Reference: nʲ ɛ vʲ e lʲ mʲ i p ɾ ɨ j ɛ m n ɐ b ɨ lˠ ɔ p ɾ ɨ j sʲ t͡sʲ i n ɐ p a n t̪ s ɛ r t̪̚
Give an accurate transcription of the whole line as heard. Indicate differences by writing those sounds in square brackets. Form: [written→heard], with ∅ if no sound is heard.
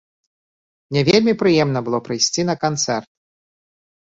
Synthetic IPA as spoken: nʲ ɛ vʲ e lʲ mʲ i p ɾ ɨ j ɛ m n ɐ b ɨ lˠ ɔ p ɾ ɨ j sʲ t͡sʲ i n ɐ [p→k] a n t̪ s ɛ r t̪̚